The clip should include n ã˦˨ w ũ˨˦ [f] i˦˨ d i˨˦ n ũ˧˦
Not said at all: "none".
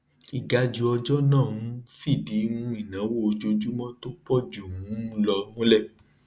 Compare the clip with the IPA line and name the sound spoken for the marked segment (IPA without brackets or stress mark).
f